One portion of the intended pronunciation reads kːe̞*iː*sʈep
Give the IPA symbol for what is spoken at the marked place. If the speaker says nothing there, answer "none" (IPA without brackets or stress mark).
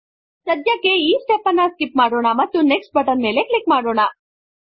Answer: iː